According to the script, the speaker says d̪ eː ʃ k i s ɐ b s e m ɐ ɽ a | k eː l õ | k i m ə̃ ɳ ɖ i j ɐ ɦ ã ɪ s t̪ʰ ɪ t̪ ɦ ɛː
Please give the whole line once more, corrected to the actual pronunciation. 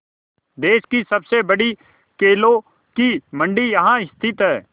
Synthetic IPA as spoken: d̪ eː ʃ k i s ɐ b s e b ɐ ɽ i | k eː l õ | k i m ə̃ ɳ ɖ i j ɐ ɦ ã ɪ s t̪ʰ ɪ t̪ ɦ ɛː

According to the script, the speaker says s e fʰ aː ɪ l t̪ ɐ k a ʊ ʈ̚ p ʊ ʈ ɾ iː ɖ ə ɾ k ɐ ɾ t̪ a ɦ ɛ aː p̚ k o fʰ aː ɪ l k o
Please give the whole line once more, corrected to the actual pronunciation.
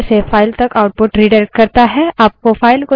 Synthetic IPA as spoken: s e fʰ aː ɪ l t̪ ɐ k a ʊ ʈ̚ p ʊ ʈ ɾ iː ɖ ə ɾ k ɐ ɾ t̪ a ɦ ɛ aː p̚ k o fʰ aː ɪ l k o

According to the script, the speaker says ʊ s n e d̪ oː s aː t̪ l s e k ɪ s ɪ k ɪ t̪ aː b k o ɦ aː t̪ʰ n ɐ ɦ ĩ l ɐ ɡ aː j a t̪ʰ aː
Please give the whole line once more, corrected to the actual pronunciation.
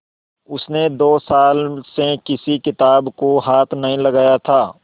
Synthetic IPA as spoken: ʊ s n e d̪ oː s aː l s e k ɪ s i k ɪ t̪ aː b k o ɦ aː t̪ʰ n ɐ ɦ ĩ l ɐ ɡ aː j a t̪ʰ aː

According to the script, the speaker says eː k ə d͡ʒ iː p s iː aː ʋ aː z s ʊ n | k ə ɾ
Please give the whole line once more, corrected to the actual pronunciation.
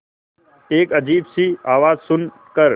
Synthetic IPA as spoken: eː k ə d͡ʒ iː b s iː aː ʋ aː z s ʊ n | k ə ɾ

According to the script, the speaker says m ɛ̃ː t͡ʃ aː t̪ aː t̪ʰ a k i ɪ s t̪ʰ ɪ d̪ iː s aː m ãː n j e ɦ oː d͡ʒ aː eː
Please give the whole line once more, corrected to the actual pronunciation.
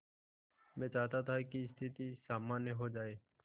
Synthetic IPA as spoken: m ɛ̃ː t͡ʃ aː t̪ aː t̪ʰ a k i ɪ s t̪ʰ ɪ t̪ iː s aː m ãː n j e ɦ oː d͡ʒ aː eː

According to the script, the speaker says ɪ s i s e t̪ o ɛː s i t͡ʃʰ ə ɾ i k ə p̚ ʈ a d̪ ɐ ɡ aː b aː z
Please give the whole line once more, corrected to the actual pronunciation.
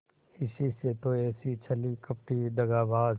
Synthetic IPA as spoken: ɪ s i s e t̪ o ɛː s i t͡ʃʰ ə l i k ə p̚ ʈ i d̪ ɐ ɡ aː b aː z

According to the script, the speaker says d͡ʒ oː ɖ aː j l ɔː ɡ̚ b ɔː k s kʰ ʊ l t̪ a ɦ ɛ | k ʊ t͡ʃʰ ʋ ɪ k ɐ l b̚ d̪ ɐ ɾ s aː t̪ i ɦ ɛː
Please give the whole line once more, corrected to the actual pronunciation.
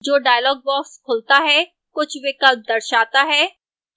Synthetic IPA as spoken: d͡ʒ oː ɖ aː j l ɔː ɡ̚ b ɔː k s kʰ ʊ l t̪ a ɦ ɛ | k ʊ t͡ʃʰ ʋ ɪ k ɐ l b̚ d̪ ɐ ɾ ʃ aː t̪ a ɦ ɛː

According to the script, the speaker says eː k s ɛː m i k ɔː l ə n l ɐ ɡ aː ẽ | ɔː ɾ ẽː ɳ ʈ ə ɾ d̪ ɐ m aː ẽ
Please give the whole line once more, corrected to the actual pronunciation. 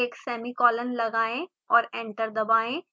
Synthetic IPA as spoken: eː k s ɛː m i k ɔː l ə n l ɐ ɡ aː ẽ | ɔː ɾ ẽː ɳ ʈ ə ɾ d̪ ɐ b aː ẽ

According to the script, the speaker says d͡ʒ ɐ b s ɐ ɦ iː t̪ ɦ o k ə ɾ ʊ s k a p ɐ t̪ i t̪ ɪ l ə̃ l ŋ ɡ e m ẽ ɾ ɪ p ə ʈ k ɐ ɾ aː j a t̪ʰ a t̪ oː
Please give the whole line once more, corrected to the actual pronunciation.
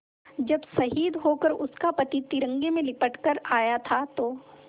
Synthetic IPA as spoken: d͡ʒ ɐ b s ɐ ɦ iː d̪ ɦ o k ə ɾ ʊ s k a p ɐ t̪ i t̪ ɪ ɾ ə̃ ŋ ɡ e m ẽ l ɪ p ə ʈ k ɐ ɾ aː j a t̪ʰ a t̪ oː

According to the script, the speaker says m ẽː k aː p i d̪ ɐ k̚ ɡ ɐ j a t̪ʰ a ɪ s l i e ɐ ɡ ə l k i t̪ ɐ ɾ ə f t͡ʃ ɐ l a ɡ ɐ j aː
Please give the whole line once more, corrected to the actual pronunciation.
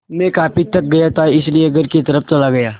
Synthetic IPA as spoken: m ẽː k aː p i t̪ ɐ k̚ ɡ ɐ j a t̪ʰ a ɪ s l i e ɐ ɡ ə ɾ k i t̪ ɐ ɾ ə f t͡ʃ ɐ l a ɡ ɐ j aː

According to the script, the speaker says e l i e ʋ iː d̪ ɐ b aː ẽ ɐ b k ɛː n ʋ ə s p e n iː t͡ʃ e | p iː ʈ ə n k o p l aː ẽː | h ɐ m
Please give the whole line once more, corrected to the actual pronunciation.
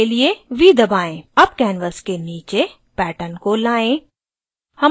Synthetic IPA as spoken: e l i e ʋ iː d̪ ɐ b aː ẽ ɐ b k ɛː n ʋ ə s k e n iː t͡ʃ e | p ɛː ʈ ə n k o l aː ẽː | h ɐ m

